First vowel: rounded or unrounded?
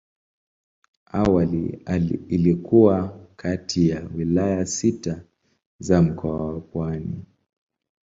unrounded